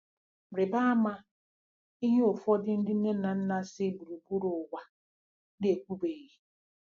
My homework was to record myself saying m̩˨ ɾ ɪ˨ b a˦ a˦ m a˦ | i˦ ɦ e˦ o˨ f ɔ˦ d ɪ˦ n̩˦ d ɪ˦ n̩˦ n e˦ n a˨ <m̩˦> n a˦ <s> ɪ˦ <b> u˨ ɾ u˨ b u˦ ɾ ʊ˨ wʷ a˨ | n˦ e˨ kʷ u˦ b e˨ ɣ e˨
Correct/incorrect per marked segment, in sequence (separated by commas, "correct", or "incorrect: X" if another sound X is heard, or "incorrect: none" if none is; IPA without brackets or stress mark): incorrect: n̩˦, correct, correct